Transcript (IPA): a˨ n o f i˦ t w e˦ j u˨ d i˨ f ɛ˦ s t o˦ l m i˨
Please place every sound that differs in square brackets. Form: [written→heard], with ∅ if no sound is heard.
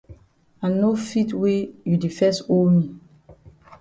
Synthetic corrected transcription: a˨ n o f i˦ t w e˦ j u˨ d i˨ f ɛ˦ s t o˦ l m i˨

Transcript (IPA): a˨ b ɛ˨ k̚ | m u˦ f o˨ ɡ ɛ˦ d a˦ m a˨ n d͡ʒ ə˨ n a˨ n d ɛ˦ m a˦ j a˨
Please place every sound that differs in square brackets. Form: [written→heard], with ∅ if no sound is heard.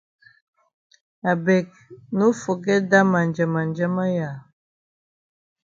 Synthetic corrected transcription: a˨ b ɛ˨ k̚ | [m→n] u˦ f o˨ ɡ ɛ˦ d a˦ m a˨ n d͡ʒ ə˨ [n→m] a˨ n [d→d͡ʒ] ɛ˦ m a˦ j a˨

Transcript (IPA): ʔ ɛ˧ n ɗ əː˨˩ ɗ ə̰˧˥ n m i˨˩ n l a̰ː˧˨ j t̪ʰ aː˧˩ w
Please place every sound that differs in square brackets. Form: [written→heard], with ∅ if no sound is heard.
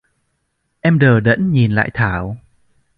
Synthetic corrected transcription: ʔ ɛ˧ [n→m] ɗ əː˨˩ ɗ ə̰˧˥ n [m→ɲ] i˨˩ n l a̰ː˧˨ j t̪ʰ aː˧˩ w

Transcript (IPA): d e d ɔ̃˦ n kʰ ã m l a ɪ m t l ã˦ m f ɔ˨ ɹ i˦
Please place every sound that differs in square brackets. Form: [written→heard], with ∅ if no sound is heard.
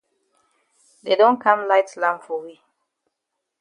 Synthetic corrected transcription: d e d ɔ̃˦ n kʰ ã m l a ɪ [m→∅] t l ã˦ m f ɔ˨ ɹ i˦

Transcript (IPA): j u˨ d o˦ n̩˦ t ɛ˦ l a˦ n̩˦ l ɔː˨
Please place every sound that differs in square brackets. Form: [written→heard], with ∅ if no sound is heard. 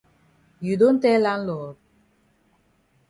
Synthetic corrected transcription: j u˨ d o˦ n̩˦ t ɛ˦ l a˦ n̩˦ l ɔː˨

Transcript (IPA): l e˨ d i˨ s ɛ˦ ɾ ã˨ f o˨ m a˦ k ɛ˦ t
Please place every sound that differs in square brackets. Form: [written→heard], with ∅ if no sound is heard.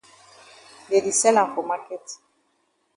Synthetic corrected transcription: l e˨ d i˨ s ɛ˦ [ɾ→l] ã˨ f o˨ m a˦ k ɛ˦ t

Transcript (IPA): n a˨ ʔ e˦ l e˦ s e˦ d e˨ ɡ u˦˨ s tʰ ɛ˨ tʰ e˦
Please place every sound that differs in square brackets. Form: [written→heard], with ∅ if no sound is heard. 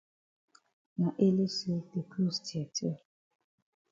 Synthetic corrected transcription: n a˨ ʔ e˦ l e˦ s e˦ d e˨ [ɡ→k] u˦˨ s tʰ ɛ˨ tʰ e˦

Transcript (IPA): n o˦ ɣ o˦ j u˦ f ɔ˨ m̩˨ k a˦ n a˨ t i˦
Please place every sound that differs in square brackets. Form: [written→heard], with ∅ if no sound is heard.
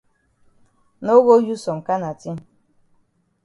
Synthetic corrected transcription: n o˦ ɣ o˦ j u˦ [f→s] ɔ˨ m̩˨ k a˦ n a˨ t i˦

